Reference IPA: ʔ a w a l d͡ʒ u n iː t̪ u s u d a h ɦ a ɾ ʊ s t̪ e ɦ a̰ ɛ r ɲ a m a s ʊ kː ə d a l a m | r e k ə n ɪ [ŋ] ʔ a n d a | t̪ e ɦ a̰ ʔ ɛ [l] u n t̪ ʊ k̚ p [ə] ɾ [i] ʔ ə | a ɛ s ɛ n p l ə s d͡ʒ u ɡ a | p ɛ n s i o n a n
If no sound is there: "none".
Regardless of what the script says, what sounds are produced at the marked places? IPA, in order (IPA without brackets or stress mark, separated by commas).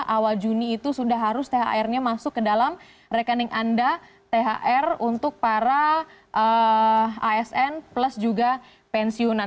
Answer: ŋ, r, a, a